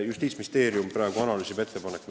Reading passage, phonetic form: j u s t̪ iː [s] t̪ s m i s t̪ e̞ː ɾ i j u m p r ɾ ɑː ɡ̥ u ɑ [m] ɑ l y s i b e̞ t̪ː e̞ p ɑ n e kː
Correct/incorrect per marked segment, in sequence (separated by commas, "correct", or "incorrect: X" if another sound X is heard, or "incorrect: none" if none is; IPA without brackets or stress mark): incorrect: none, incorrect: n